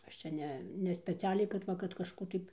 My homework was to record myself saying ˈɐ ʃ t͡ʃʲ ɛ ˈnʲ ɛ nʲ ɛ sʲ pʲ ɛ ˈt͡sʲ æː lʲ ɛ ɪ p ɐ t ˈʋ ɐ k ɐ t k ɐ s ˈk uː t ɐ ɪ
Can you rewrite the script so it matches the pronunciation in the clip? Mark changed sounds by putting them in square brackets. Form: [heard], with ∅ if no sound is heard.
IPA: ˈɐ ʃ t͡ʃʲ ɛ ˈnʲ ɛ nʲ ɛ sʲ pʲ ɛ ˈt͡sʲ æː lʲ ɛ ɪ [k] ɐ t ˈʋ ɐ k ɐ t k ɐ [ʃ] ˈk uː t ɐ ɪ